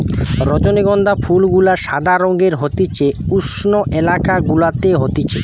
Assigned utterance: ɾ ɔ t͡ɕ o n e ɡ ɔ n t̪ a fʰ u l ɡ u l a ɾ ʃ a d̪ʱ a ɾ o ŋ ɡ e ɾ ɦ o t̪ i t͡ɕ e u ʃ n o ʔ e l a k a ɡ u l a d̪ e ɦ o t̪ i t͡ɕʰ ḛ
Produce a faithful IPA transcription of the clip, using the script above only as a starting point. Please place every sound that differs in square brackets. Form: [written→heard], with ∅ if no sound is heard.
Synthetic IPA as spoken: ɾ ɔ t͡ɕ o n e ɡ ɔ n [t̪→d̪] a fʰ u l ɡ u l a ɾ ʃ a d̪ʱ a ɾ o ŋ ɡ e ɾ ɦ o t̪ i t͡ɕ e u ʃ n o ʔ e l a k a ɡ u l a [d̪→t̪] e ɦ o t̪ i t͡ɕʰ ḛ